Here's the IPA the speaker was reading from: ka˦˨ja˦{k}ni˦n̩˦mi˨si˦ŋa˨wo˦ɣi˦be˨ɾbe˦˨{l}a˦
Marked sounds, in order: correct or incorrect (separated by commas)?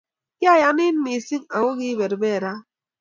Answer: incorrect, incorrect